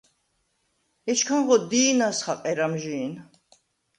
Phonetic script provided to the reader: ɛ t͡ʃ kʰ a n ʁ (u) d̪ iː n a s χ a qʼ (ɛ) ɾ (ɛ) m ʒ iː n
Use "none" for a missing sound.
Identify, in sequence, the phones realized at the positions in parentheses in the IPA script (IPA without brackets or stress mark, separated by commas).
ɔ, ɛ, a